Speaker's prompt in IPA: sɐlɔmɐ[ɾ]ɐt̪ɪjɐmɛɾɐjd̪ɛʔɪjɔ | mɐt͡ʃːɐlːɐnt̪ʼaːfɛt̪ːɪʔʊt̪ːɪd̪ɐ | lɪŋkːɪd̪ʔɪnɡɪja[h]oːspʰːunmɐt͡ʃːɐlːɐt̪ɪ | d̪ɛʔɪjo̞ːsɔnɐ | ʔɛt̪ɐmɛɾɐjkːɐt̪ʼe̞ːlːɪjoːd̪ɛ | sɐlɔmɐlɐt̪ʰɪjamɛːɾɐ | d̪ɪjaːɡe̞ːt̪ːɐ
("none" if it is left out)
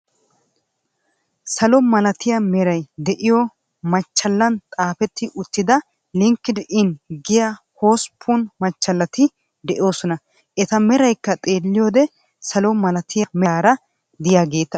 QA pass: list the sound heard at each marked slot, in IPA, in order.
l, h

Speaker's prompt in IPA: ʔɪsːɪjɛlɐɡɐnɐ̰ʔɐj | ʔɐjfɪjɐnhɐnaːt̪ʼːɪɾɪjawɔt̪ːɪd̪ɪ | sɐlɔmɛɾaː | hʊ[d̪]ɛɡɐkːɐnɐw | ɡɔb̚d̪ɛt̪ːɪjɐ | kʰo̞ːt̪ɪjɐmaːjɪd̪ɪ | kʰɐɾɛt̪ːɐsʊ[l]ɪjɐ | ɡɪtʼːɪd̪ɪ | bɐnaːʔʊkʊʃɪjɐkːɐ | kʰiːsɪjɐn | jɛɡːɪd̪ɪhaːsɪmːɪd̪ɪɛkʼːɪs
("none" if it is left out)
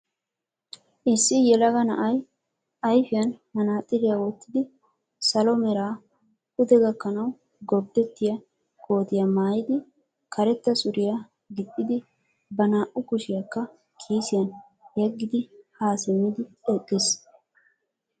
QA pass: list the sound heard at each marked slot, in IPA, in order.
d̪, ɾ

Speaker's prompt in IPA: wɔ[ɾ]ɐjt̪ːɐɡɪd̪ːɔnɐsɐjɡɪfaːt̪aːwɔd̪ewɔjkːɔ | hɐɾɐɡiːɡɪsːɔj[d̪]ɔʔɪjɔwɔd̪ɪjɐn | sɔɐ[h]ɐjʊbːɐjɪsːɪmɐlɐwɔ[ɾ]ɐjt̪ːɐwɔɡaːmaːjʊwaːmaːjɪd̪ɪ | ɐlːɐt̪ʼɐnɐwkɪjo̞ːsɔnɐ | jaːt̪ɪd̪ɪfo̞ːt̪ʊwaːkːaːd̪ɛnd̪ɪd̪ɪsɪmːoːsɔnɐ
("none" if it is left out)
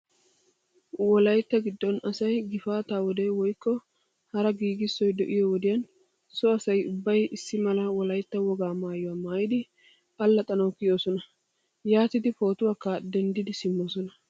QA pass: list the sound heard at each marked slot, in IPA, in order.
l, d̪, s, l

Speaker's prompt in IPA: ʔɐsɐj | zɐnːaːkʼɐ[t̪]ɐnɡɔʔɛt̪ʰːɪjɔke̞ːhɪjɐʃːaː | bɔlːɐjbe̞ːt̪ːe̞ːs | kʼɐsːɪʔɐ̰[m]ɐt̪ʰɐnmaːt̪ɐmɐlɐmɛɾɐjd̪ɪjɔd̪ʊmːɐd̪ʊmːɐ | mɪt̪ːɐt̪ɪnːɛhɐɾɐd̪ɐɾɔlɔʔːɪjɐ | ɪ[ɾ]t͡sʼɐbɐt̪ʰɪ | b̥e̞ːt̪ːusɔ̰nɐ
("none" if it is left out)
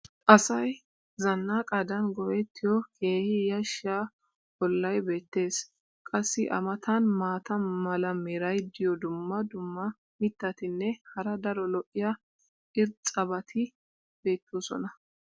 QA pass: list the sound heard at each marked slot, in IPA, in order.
d̪, m, ɾ

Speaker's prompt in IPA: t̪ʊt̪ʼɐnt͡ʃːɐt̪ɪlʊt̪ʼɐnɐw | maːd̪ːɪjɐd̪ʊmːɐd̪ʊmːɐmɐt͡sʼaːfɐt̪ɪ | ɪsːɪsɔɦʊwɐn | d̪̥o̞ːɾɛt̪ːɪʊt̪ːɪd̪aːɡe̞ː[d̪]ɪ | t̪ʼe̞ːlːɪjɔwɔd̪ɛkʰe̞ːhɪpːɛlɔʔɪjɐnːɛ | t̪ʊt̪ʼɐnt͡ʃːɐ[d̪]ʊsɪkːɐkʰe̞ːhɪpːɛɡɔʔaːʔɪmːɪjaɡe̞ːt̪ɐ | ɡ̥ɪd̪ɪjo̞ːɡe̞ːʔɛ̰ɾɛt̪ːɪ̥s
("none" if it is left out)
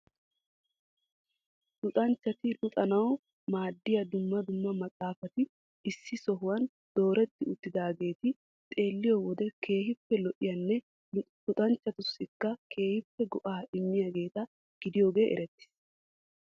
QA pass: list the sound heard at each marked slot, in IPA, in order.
t̪, t̪

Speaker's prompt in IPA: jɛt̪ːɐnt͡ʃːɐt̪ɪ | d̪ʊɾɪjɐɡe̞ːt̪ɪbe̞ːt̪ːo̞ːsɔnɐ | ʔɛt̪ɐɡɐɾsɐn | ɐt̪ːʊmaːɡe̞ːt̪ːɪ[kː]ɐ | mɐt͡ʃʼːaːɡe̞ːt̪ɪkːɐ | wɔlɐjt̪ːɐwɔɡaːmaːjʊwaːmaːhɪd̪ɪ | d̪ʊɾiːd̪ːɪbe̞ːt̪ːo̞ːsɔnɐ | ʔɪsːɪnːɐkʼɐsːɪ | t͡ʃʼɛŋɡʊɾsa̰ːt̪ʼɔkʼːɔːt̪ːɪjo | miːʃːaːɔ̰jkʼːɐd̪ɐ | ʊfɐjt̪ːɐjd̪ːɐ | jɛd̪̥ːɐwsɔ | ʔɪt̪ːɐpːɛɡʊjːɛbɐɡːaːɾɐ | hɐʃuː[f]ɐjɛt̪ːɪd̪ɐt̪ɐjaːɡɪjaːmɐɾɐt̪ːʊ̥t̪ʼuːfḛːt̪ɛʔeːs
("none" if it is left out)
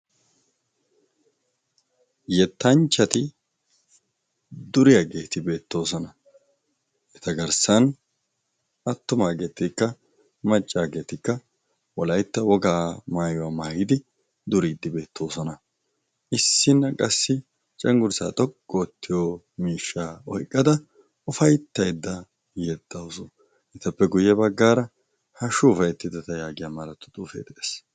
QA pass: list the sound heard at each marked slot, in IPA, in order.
kː, f

